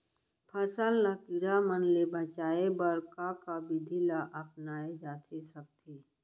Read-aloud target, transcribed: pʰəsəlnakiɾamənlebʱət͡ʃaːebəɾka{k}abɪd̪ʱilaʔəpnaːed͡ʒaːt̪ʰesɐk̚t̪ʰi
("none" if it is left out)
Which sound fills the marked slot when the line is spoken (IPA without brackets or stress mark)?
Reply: k